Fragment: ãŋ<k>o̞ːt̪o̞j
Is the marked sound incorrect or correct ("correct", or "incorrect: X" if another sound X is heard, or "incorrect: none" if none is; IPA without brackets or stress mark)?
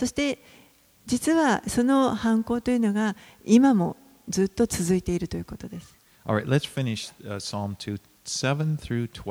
correct